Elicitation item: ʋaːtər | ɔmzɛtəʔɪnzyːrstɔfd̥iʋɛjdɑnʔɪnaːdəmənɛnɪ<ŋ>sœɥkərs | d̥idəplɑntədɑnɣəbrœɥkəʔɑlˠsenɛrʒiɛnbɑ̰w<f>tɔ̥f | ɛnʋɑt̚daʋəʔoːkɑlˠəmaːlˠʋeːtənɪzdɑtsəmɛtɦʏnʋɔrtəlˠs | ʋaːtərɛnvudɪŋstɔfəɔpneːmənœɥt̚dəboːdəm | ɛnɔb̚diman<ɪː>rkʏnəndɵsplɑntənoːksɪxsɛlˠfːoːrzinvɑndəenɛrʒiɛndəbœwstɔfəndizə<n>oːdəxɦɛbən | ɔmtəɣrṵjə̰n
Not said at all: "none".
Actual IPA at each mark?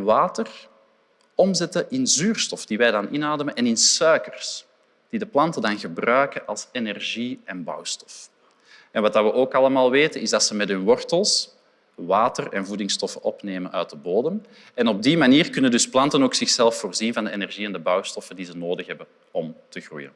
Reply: n, s, iː, n

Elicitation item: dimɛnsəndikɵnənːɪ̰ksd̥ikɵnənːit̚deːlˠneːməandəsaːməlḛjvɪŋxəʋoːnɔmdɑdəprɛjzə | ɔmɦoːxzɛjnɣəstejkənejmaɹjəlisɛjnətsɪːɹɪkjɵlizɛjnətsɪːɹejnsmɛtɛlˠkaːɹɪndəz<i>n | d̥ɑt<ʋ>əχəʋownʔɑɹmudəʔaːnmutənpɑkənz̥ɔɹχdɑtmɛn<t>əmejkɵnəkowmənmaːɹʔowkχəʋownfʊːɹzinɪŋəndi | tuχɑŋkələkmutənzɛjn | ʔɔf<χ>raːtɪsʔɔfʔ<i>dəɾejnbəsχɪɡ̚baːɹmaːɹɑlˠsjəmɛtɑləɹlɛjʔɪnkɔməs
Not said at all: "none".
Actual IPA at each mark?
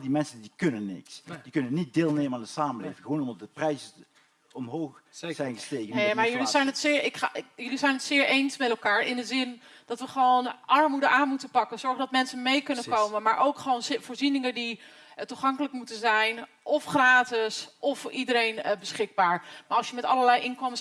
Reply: ɪ, ʋ, s, χ, i

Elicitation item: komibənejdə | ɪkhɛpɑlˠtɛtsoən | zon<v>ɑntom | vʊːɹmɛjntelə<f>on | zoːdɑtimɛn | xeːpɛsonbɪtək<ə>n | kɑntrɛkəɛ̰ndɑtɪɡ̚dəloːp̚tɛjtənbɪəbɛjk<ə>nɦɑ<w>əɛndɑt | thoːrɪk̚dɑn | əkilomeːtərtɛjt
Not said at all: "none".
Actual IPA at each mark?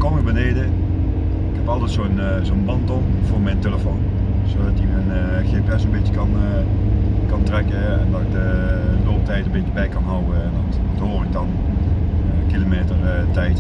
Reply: b, f, ɑ, ɑ, w

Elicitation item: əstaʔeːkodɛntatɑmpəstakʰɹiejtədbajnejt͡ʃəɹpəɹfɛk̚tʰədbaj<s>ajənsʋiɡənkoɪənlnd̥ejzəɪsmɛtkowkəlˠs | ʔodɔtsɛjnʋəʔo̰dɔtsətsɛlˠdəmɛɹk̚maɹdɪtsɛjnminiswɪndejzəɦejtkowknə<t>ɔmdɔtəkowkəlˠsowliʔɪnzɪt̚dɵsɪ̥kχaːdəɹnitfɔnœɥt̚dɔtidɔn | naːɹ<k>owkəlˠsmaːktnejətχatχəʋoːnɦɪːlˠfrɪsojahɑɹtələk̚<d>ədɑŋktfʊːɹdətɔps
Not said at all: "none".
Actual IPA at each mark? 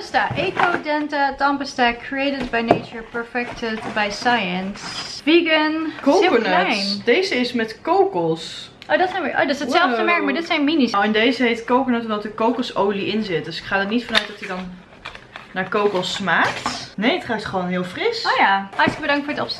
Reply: s, t, k, b

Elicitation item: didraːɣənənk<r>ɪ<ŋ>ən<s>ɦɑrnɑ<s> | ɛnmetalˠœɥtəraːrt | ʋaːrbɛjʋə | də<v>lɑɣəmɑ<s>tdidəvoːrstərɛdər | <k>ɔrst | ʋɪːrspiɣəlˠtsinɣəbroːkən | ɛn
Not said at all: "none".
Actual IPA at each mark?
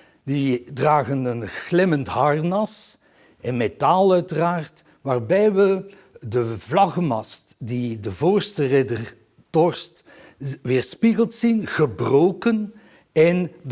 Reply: l, m, t, s, v, s, t

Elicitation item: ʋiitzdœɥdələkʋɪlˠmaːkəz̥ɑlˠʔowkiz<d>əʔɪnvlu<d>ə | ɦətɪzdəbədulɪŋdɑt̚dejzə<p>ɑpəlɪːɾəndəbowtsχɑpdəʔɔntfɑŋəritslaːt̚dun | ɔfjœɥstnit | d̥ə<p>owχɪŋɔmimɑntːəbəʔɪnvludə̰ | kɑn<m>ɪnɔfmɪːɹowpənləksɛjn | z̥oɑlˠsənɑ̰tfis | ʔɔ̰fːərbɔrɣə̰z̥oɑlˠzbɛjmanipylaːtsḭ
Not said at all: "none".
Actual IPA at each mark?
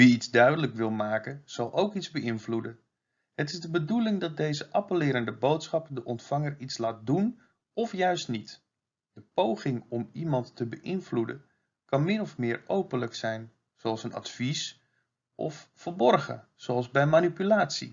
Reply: b, d, ʔ, p, m

